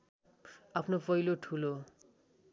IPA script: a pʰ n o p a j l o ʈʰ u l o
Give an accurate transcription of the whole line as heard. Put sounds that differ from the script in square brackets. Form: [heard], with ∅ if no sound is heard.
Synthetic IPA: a pʰ n o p [ʌ] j l o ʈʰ u l o